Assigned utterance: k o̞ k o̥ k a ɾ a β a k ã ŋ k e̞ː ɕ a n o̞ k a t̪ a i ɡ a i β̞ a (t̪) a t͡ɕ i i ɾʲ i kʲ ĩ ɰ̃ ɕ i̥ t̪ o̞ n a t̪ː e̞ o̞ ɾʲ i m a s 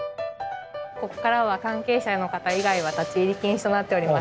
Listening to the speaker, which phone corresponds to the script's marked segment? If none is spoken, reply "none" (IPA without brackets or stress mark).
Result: t̪